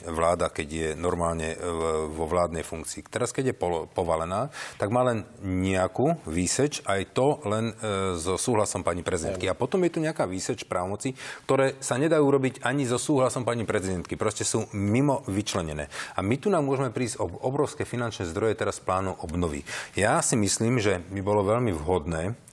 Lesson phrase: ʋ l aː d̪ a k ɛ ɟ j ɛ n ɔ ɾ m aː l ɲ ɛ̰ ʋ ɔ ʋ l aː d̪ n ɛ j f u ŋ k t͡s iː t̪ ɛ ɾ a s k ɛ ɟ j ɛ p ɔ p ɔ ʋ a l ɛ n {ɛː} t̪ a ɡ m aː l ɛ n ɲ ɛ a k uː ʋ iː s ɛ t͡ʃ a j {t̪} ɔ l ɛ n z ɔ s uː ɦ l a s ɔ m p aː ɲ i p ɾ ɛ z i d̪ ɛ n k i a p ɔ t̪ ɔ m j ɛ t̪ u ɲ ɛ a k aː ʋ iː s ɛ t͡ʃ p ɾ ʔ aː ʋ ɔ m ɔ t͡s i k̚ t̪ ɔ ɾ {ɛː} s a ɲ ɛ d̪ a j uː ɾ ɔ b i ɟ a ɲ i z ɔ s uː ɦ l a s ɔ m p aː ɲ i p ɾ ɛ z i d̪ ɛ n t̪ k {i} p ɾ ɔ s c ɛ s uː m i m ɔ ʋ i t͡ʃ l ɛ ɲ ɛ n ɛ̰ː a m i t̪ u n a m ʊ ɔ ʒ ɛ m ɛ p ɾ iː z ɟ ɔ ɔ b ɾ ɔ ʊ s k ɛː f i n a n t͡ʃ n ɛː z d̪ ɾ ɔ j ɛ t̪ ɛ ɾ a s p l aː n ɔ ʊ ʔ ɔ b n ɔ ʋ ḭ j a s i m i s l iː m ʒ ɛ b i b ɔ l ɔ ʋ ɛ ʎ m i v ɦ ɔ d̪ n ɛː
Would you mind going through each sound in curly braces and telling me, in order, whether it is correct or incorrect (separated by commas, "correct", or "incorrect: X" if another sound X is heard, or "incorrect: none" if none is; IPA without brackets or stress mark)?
incorrect: aː, correct, correct, correct